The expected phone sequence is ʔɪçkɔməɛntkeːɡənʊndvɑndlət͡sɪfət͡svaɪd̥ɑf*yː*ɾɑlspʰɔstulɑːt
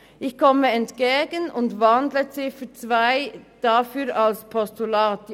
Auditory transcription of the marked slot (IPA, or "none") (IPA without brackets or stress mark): yː